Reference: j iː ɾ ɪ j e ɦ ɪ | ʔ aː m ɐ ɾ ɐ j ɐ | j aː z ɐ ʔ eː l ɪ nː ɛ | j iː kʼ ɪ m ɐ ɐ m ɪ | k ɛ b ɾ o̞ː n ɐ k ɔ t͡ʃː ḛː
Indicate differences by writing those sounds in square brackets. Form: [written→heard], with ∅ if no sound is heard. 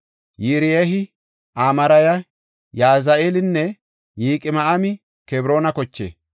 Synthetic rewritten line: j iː ɾ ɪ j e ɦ ɪ | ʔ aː m ɐ ɾ ɐ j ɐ | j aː z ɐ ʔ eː l ɪ nː ɛ | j iː kʼ ɪ m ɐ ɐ m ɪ | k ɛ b ɾ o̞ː n ɐ k ɔ t͡ʃː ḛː